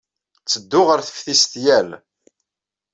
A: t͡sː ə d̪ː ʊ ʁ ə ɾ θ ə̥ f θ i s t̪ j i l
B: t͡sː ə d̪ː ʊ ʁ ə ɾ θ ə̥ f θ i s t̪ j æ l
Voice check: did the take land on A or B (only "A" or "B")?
B